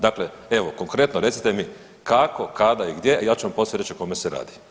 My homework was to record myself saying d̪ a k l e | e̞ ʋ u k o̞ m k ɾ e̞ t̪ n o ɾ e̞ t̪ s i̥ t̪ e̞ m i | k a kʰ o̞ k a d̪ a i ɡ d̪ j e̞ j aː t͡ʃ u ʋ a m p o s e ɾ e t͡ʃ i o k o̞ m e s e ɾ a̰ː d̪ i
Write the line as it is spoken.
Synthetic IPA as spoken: d̪ a k l e | e̞ ʋ o k o̞ ŋ k ɾ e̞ t̪ n o ɾ e̞ t̪ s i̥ t̪ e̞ m i | k a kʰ o̞ k a d̪ a i ɡ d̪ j e̞ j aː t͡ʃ u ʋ a m p o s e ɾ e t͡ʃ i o k o̞ m e s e ɾ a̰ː d̪ i